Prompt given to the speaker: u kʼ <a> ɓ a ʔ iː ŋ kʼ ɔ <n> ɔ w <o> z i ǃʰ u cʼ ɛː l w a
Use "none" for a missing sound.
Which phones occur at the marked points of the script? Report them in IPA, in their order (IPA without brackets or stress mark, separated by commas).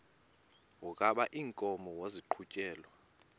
a, m, o